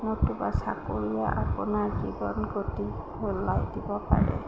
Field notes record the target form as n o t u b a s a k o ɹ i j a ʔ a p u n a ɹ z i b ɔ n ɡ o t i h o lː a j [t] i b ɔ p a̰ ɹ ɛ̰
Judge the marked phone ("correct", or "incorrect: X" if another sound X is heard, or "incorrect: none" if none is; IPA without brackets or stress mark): incorrect: d